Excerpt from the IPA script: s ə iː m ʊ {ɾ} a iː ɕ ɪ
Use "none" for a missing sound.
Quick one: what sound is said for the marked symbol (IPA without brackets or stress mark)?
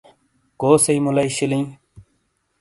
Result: l